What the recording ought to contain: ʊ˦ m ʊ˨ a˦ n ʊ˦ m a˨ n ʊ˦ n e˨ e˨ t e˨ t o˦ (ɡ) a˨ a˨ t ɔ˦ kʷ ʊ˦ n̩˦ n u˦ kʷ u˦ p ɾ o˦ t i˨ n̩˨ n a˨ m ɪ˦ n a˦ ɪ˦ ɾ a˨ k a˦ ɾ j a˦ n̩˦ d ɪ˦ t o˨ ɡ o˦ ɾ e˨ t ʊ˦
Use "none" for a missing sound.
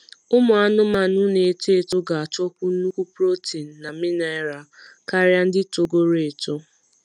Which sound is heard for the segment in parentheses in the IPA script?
ɡ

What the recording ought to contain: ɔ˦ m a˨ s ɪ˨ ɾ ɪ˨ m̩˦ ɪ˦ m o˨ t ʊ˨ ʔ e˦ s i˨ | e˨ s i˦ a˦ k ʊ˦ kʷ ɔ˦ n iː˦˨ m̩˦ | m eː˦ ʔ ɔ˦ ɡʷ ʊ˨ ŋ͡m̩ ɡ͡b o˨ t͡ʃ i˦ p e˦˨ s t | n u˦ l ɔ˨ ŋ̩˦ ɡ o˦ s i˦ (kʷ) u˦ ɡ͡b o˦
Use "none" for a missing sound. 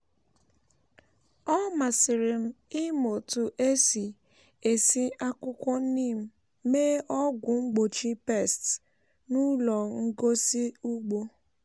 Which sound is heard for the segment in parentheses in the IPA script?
none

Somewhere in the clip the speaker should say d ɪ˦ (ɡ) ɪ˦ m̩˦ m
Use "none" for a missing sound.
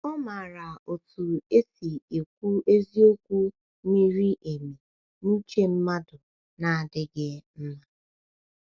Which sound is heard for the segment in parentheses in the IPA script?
ɡ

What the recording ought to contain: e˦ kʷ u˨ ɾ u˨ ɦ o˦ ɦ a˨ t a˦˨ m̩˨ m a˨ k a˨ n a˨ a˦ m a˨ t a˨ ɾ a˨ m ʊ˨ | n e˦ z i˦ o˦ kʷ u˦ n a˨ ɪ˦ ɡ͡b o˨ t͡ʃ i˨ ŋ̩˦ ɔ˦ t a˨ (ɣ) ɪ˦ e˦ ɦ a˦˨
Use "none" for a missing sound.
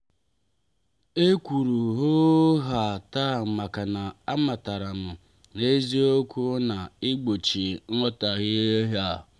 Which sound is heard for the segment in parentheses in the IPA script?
ɣ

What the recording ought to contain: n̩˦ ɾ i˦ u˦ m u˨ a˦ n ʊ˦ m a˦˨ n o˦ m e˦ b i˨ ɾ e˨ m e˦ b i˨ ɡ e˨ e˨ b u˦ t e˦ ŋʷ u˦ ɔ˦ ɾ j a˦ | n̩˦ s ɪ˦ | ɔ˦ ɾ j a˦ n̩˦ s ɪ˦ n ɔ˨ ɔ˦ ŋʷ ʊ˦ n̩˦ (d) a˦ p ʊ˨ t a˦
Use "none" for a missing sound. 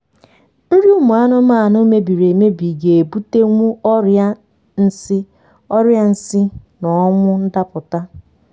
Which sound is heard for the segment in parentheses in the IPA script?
d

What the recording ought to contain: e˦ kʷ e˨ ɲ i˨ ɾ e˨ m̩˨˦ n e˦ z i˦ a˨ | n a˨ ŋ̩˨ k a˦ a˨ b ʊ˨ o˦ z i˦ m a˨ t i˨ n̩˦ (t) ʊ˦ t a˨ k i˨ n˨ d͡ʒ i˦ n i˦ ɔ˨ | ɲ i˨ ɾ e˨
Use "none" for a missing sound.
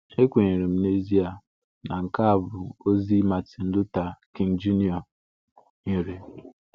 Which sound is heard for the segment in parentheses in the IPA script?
d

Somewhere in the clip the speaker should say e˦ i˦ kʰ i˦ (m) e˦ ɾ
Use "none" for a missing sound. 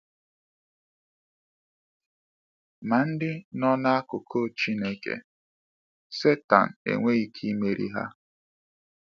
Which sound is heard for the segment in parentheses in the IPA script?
m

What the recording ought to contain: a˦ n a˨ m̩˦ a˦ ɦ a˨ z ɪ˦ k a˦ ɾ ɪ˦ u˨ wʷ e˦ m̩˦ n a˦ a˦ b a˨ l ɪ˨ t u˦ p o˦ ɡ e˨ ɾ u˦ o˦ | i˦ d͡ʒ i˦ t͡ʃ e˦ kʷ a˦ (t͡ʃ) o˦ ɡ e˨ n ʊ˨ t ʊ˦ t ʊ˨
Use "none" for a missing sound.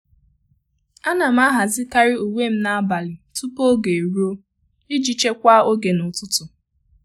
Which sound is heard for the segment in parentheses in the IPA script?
none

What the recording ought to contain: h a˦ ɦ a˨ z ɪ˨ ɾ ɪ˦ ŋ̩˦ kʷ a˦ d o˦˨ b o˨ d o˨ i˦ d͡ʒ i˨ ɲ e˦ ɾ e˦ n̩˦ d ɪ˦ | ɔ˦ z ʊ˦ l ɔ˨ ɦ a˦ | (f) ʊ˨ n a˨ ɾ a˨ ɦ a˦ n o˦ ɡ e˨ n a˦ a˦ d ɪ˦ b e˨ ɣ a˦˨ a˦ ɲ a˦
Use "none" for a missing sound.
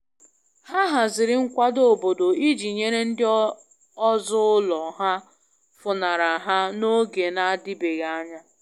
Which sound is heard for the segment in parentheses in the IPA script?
f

